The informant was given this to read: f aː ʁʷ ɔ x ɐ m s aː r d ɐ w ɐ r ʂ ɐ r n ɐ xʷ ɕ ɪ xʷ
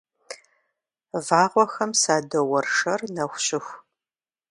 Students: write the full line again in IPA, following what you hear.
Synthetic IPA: v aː ʁʷ ɔ x ɐ m s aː d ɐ w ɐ r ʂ ɐ r n ɐ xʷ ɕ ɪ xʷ

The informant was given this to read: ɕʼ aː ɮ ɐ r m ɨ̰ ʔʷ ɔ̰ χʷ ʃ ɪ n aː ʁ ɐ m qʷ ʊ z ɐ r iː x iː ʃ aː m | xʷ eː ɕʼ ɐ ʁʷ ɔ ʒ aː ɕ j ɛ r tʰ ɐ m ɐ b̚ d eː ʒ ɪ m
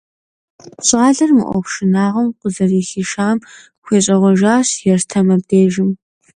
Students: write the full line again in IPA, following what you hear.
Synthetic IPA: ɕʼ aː ɮ ɐ r m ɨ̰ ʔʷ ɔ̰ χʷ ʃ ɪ n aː ʁ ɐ m qʷ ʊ z ɐ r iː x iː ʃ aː m | xʷ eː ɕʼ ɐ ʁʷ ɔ ʒ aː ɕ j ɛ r tʰ ɐ m ɐ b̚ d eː ʒ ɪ m

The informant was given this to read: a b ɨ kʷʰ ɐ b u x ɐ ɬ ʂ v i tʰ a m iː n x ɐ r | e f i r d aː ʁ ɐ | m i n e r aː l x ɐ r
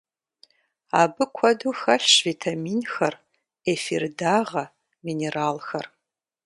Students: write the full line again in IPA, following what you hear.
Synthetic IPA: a b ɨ kʷʰ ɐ d u x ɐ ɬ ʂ v i tʰ a m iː n x ɐ r | e f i r d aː ʁ ɐ | m i n e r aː l x ɐ r

